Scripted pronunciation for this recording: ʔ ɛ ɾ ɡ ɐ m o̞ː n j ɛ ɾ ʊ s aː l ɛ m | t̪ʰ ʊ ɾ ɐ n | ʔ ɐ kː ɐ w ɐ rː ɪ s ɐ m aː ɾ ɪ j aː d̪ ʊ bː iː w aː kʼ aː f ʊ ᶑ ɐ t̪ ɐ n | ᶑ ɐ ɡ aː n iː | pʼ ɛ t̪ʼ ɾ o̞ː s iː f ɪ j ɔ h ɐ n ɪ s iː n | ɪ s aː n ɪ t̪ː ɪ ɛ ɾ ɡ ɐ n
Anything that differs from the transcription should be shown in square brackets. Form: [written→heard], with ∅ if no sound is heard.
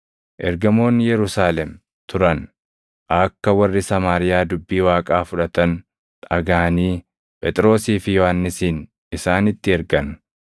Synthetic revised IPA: ʔ ɛ ɾ ɡ ɐ m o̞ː n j ɛ ɾ ʊ s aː l ɛ m | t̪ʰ ʊ ɾ ɐ n | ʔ ɐ kː ɐ w ɐ rː ɪ s ɐ m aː ɾ ɪ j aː d̪ ʊ bː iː w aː kʼ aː f ʊ ᶑ ɐ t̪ ɐ n | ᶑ ɐ ɡ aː n iː | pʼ ɛ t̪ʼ ɾ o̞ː s iː f ɪ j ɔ h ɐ [n→nː] ɪ s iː n | ɪ s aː n ɪ t̪ː ɪ ɛ ɾ ɡ ɐ n